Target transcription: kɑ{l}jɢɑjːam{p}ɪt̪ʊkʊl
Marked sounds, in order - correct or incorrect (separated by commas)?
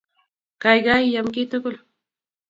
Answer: incorrect, incorrect